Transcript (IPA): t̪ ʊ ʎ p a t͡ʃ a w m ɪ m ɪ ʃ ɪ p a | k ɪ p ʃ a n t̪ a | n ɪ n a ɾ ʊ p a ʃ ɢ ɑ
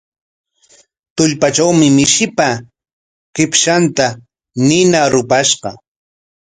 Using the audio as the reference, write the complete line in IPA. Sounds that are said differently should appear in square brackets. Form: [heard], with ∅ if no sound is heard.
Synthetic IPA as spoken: t̪ ʊ ʎ p a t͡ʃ a w m ɪ m ɪ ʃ ɪ p a | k ɪ p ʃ a n t̪ a | n ɪ n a ɾ ʊ p a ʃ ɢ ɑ